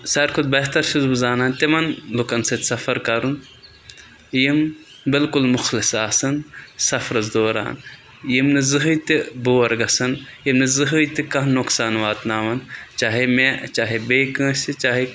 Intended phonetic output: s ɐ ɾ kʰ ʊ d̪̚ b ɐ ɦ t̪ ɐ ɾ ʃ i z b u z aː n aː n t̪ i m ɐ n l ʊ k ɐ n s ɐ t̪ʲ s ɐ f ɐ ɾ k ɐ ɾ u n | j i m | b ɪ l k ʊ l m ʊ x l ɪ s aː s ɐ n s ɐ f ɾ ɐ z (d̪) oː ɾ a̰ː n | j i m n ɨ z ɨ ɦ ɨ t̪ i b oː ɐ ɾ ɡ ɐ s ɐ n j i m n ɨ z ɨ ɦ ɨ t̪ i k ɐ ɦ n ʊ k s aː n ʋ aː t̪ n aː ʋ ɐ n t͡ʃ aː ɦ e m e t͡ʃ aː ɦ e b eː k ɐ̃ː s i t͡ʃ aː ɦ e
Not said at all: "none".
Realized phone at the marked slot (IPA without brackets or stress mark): d̪